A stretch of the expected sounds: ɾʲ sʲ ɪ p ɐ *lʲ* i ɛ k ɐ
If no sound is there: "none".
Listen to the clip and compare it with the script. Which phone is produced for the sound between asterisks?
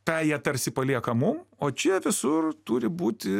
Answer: lʲ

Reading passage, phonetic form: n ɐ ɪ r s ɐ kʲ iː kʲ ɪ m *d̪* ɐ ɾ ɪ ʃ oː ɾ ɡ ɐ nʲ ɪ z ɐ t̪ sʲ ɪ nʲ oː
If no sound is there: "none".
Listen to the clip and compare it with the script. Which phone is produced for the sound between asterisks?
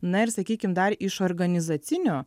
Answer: d̪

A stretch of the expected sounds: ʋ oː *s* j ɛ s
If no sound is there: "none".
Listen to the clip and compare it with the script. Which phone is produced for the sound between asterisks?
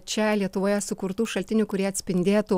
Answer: none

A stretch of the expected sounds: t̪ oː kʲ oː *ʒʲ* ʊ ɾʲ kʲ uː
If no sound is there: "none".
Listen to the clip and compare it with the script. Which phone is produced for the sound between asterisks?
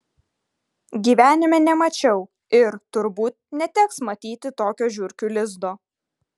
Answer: ʒʲ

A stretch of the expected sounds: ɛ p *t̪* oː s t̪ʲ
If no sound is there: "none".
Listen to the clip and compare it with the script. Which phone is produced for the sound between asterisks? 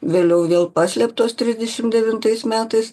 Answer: t̪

